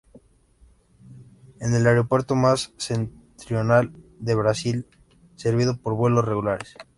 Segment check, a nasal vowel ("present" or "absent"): absent